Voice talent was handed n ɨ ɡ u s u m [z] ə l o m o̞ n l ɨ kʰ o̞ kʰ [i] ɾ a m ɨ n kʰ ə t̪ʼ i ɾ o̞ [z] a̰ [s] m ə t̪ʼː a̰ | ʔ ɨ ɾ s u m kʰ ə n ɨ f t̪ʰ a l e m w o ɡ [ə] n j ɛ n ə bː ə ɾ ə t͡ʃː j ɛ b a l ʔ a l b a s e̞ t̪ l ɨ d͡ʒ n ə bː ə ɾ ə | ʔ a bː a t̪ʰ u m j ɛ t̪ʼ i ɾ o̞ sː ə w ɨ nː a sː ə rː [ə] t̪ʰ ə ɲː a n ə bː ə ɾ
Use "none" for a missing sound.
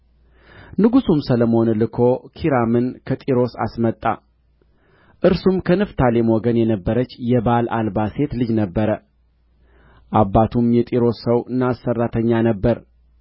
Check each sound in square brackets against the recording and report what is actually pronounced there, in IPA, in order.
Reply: s, i, s, s, ə, a

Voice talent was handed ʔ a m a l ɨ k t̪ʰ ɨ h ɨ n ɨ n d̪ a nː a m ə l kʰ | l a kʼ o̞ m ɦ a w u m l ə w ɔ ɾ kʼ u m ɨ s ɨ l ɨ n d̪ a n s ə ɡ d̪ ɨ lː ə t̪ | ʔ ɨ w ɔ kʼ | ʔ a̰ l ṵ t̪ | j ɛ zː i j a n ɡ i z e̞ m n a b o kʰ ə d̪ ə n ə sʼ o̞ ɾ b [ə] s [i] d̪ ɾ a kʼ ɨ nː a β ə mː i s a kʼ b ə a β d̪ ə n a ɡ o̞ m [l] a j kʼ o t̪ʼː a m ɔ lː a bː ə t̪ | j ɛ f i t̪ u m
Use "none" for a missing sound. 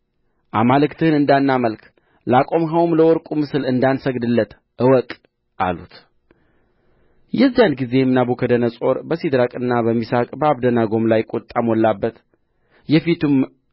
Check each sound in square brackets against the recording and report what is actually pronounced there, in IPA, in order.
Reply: ə, i, l

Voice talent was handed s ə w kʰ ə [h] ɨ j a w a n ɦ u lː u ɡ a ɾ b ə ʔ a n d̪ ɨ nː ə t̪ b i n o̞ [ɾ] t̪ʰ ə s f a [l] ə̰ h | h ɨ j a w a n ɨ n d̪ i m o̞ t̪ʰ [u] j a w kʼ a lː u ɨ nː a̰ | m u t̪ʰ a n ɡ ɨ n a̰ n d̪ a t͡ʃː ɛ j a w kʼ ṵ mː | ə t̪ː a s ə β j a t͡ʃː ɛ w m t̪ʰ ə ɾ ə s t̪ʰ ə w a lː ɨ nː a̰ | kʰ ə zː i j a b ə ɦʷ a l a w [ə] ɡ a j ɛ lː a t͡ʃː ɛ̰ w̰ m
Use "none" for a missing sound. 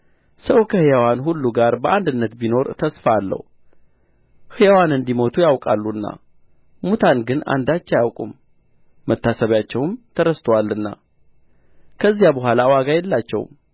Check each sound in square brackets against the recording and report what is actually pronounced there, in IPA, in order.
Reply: h, ɾ, lː, u, a

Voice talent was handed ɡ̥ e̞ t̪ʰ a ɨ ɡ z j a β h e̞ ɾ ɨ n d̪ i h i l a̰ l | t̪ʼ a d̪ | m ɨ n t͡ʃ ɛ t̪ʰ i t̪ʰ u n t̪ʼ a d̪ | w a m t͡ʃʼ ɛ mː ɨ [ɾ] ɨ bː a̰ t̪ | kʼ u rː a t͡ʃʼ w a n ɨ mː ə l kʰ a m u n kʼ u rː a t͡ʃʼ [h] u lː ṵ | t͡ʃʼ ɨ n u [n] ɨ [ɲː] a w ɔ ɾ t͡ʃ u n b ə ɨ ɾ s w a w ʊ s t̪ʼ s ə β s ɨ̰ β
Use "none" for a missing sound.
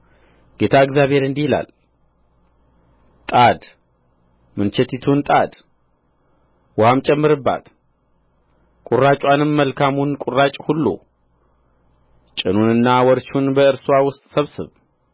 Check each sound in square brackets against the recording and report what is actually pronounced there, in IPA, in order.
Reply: ɾ, h, n, nː

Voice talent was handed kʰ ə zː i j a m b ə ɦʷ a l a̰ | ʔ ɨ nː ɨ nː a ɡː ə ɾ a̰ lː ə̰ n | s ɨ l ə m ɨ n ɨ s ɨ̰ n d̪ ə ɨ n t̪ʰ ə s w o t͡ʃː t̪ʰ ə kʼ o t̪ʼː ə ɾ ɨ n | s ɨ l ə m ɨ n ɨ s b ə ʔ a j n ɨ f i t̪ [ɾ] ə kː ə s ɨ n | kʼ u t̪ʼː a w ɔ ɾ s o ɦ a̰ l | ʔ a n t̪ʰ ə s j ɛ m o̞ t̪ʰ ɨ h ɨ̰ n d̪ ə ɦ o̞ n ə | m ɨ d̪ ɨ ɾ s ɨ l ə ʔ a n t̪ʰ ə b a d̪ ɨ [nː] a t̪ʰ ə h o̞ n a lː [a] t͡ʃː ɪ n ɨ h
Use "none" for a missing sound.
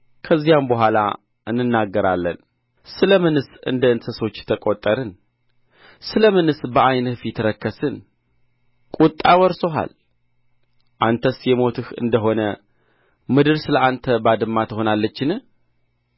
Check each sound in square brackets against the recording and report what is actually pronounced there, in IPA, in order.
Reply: ɾ, mː, ə

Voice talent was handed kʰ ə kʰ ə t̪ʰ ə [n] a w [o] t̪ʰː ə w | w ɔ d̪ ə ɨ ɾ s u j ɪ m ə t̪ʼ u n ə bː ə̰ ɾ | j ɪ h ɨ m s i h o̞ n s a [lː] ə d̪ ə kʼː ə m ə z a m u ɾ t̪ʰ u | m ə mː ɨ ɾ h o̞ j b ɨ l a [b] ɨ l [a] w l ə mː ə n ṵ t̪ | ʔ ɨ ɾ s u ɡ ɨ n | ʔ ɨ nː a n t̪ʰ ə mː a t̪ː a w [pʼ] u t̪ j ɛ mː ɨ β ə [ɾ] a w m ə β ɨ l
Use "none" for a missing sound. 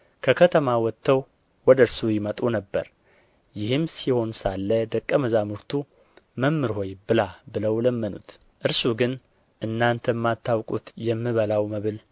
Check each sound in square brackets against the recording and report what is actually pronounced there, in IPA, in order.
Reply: m, ɔ, lː, b, ə, kʼ, l

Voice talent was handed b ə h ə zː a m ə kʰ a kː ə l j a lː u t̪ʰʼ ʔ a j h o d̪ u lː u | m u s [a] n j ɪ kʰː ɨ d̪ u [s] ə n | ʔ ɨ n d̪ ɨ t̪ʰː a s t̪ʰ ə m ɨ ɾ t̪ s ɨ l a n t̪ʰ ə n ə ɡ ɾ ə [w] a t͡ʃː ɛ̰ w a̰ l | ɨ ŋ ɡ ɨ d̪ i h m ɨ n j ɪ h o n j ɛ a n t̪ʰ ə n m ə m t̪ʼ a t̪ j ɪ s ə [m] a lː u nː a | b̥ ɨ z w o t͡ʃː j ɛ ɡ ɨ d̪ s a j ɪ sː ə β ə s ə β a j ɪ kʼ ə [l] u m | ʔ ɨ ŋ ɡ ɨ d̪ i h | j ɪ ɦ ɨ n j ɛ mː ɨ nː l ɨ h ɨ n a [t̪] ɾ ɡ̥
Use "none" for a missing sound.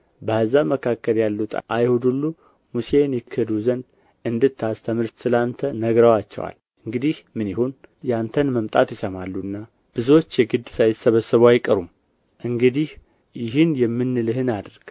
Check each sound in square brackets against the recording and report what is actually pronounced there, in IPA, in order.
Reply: e, z, w, m, ɾ, d̪

